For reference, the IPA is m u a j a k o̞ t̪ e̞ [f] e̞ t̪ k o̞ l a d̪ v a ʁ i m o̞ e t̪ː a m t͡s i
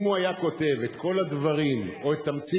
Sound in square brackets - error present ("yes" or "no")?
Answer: yes